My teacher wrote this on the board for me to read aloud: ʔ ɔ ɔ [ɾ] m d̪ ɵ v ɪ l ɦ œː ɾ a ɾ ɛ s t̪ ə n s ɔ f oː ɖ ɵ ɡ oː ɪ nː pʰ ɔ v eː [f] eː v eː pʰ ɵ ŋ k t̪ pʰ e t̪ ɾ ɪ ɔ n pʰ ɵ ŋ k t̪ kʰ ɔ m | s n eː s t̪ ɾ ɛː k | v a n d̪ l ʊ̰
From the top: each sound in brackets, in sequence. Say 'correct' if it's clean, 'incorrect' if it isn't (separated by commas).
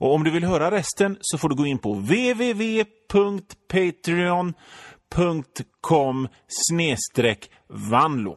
incorrect, incorrect